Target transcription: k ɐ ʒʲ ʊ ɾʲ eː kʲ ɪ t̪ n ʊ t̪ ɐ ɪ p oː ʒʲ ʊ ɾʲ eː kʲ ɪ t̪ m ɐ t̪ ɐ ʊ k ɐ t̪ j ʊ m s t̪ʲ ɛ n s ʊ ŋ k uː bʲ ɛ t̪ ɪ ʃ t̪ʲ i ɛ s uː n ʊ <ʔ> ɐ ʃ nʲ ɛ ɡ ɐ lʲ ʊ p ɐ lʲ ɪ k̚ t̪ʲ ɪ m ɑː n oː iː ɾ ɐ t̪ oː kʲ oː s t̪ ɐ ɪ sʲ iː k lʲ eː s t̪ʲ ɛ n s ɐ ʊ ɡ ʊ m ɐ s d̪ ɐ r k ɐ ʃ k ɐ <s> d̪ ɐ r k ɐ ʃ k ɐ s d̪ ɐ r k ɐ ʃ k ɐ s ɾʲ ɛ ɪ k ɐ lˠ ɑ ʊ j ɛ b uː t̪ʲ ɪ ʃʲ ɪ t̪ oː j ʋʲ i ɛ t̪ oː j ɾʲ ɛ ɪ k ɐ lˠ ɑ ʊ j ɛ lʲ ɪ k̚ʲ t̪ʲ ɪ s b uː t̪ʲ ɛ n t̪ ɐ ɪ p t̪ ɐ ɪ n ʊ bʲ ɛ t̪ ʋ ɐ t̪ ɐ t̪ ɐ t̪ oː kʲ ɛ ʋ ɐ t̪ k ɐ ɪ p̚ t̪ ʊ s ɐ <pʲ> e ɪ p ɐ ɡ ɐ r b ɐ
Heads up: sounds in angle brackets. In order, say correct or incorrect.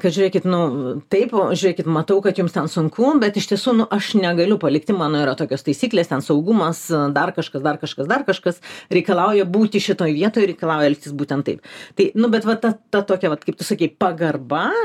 correct, correct, incorrect: kʲ

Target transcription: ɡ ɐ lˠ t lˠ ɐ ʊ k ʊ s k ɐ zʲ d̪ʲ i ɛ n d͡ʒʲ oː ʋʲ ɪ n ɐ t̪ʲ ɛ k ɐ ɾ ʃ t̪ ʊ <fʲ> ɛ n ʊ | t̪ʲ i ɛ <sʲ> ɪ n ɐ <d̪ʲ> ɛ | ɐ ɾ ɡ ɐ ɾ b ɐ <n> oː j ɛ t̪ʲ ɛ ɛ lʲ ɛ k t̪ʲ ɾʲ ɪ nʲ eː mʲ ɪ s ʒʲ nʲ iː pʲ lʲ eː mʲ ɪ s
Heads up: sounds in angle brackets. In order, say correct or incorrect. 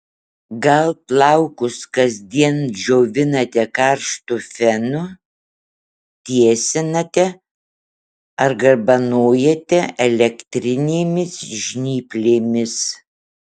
correct, correct, incorrect: t̪ʲ, correct

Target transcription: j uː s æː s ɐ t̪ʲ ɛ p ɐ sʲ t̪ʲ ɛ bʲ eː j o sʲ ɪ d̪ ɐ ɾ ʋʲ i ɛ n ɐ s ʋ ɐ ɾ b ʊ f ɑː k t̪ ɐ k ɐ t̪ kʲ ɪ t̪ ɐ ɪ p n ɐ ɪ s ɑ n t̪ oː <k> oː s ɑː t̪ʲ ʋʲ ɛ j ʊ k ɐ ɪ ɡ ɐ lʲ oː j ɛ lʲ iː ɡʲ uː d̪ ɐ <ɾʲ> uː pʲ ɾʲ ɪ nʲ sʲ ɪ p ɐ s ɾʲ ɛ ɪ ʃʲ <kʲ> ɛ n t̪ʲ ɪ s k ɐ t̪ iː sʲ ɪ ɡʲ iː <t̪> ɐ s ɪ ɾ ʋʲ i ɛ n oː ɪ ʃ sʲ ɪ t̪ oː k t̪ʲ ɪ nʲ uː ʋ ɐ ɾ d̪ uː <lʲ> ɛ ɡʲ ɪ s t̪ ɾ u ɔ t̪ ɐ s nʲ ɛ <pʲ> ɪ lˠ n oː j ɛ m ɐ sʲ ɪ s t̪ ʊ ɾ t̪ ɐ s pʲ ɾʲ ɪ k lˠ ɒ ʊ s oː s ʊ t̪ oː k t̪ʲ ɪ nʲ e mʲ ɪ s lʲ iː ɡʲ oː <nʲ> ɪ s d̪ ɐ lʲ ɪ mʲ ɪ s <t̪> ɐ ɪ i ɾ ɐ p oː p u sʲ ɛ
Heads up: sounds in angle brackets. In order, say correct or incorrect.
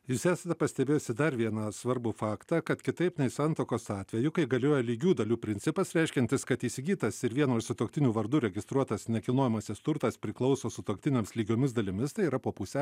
correct, incorrect: lʲ, correct, correct, incorrect: ɾʲ, incorrect: kʲ, incorrect: mʲ, correct

